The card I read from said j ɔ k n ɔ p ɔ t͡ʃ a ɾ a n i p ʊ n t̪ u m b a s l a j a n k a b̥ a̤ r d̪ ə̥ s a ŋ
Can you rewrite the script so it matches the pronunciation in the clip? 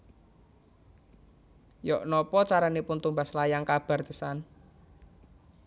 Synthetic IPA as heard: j ɔ ʔ n ɔ p ɔ t͡ʃ a ɾ a n i p ʊ n t̪ u m b a s l a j a ŋ k a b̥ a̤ r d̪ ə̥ s a n